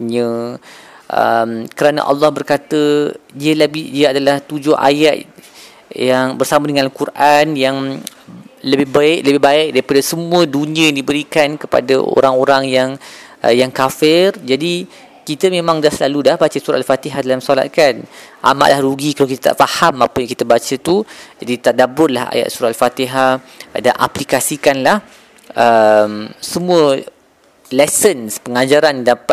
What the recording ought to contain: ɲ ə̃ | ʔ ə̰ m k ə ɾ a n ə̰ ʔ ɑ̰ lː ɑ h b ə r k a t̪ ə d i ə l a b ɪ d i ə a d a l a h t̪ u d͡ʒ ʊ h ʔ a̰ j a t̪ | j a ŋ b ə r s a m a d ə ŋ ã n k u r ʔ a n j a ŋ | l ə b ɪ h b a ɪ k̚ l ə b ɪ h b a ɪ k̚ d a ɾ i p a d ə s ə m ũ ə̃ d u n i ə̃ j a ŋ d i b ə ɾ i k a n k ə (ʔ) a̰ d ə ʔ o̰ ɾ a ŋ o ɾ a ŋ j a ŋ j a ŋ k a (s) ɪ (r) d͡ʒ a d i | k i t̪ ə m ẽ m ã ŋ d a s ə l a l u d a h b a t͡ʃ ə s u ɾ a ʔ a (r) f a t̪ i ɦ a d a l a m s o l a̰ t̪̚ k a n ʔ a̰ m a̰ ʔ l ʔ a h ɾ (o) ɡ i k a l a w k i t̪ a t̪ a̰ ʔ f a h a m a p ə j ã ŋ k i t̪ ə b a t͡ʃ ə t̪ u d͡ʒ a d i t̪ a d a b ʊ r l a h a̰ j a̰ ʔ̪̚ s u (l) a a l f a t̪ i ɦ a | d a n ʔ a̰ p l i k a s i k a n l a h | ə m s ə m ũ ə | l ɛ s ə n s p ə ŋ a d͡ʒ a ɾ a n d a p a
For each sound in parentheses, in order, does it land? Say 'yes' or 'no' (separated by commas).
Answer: no, no, yes, no, no, no